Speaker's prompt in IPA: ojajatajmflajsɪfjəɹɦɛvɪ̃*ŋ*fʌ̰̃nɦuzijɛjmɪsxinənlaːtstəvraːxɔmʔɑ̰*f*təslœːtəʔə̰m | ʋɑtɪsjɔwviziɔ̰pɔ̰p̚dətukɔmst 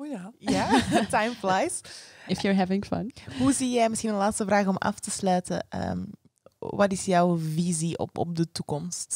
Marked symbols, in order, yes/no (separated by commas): yes, yes